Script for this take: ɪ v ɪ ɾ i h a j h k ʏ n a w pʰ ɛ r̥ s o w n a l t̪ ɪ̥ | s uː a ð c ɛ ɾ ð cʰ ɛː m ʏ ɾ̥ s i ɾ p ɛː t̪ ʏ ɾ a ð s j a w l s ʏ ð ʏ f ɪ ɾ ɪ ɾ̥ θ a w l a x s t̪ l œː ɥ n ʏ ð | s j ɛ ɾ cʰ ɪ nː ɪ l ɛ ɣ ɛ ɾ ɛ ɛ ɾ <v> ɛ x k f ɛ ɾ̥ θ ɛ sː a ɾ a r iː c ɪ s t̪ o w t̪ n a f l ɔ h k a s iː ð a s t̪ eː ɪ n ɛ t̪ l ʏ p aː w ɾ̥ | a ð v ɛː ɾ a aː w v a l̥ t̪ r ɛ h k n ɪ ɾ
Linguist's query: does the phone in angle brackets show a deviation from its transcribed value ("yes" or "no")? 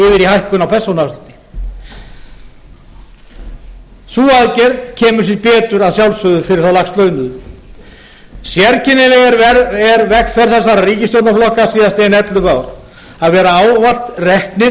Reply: no